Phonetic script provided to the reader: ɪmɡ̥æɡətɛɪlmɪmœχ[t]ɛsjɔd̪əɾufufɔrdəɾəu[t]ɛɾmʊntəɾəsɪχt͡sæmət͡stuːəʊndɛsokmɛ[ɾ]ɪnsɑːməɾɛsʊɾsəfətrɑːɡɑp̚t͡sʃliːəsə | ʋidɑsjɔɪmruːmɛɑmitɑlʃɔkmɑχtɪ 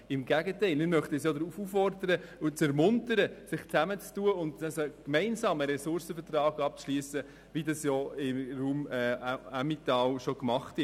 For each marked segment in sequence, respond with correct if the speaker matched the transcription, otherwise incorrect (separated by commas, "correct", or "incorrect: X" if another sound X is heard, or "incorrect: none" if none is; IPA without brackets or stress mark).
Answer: correct, incorrect: t͡s, incorrect: none